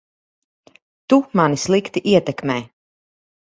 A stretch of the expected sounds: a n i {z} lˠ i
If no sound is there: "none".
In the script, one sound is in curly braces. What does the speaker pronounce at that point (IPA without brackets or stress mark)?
s